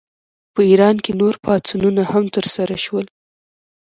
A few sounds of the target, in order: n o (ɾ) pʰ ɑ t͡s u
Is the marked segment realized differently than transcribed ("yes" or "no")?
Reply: no